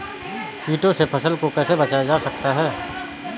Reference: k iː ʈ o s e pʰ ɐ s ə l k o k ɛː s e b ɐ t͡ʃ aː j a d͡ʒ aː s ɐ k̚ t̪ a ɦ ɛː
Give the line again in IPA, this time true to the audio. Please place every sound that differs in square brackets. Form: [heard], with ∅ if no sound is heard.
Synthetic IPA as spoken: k iː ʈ o s e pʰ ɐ s ə l k o k ɛː s e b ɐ t͡ʃ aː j a d͡ʒ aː s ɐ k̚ t̪ a ɦ ɛː